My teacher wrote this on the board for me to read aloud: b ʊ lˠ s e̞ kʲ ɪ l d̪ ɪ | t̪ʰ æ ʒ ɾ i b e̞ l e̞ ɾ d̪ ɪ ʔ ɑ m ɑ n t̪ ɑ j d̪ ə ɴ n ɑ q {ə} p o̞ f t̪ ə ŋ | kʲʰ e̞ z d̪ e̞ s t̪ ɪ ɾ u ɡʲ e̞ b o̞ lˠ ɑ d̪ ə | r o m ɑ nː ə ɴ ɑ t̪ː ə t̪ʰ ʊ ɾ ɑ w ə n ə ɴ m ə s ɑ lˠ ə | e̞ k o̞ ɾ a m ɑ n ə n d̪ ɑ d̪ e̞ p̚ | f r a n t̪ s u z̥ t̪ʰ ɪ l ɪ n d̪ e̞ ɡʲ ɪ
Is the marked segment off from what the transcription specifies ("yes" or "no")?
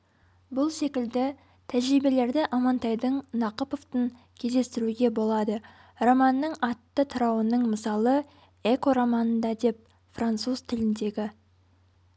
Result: no